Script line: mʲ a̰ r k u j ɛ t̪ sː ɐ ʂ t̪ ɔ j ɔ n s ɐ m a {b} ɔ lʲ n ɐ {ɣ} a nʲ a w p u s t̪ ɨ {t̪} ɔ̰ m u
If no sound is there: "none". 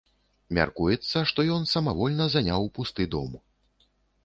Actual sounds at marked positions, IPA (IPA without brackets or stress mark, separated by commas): v, z, d̪